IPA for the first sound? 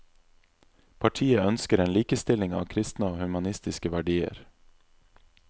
pʰ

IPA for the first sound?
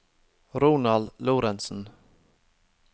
ɾ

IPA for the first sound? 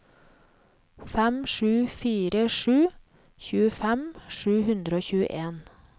f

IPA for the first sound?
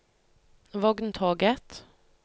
ʋ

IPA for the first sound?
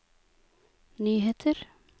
n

